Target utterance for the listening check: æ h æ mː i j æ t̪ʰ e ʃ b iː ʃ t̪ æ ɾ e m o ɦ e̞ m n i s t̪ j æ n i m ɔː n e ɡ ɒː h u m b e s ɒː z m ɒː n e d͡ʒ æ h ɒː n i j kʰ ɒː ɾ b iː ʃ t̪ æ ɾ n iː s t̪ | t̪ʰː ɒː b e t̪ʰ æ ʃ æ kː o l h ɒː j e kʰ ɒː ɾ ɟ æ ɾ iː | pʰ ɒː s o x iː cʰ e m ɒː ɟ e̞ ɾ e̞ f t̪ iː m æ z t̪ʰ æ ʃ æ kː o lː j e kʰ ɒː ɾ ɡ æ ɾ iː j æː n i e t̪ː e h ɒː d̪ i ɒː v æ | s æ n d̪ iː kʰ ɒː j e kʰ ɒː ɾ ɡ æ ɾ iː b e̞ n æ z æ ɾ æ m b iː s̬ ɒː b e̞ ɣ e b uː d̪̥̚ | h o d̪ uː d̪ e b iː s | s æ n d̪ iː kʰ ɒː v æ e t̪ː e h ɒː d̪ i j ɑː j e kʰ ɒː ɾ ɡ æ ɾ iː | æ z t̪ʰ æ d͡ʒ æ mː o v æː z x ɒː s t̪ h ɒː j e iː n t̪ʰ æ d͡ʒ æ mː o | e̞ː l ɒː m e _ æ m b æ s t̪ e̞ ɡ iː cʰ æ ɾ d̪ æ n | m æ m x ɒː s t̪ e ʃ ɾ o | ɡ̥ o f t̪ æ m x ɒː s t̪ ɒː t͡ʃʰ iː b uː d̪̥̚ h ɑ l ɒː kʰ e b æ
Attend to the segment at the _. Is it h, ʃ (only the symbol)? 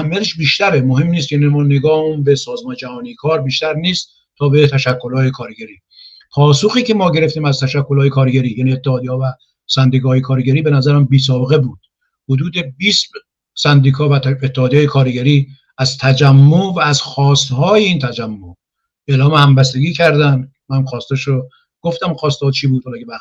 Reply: h